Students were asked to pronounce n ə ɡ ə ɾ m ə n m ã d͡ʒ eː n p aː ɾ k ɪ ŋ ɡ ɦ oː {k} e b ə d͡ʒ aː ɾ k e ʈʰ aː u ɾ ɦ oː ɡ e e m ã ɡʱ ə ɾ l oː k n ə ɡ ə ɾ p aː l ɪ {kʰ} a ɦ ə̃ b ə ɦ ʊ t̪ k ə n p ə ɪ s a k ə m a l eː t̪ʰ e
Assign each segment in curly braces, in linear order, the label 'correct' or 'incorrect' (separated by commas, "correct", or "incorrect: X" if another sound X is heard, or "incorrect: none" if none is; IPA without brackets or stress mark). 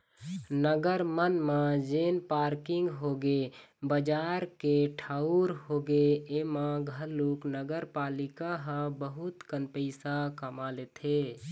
incorrect: ɡ, incorrect: k